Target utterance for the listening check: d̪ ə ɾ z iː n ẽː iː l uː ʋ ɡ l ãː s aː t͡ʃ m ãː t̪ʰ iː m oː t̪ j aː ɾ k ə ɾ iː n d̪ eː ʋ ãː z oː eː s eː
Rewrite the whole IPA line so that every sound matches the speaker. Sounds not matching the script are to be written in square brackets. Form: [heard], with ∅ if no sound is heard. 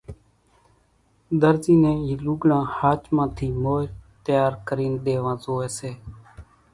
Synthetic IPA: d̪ ə ɾ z iː n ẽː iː l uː [∅] ɡ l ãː [h] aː t͡ʃ m ãː t̪ʰ iː m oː t̪ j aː ɾ k ə ɾ iː n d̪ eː ʋ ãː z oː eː s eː